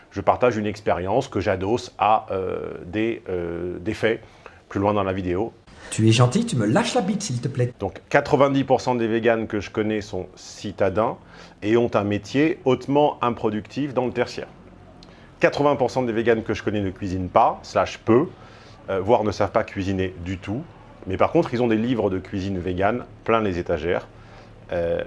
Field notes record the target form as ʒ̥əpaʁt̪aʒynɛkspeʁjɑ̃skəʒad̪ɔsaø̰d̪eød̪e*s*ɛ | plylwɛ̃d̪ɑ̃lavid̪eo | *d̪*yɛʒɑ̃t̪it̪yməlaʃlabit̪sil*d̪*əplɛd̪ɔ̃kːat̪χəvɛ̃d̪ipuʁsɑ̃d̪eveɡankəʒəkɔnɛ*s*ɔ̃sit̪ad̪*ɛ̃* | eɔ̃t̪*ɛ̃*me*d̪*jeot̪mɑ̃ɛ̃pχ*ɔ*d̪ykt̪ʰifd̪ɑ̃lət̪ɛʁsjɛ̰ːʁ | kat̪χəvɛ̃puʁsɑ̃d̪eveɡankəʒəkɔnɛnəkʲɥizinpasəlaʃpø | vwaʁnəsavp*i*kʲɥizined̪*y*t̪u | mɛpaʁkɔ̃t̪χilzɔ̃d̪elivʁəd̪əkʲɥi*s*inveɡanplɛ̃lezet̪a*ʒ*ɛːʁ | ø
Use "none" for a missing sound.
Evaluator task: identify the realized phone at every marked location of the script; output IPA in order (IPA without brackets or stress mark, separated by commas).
f, t̪, t̪, s, ɛ̃, ɛ̃, t̪, ɔ, a, y, z, ʒ